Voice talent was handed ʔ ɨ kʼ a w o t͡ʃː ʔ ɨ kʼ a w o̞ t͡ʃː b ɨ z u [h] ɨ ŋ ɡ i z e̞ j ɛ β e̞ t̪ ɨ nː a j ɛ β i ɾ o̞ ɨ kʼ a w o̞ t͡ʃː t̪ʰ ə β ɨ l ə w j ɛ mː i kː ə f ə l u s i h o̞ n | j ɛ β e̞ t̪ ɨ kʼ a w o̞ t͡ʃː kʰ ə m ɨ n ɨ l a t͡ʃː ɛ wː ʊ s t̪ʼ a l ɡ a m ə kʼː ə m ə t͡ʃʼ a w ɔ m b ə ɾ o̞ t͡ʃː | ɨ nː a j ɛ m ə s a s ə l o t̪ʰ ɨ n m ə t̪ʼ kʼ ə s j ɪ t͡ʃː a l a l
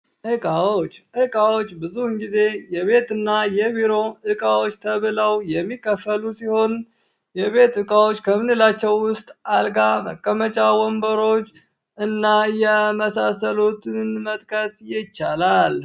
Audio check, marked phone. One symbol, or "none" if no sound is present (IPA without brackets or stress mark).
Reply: h